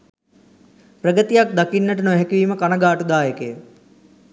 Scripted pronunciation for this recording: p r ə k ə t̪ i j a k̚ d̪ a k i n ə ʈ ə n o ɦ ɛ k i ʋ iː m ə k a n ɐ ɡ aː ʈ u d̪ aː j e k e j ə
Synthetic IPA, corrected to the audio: p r ə ɡ ə t̪ i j a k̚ d̪ a k i nː ə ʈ ə n o ɦ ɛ k i ʋ iː m ə k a n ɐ ɡ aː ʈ u d̪ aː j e k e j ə